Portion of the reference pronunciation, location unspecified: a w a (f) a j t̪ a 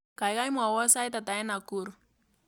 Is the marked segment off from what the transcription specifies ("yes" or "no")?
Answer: yes